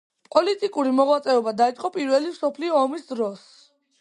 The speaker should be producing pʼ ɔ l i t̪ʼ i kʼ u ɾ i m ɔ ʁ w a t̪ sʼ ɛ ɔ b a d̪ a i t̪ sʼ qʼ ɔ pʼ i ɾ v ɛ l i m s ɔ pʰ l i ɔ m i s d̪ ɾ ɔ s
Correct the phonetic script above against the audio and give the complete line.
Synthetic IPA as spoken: pʼ ɔ l i t̪ʼ i kʼ u ɾ i m ɔ ʁ w a t̪ sʼ ɛ ɔ b a d̪ a i t̪ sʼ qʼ ɔ pʼ i ɾ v ɛ l i m s ɔ pʰ l i ɔː m i s d̪ ɾ ɔ s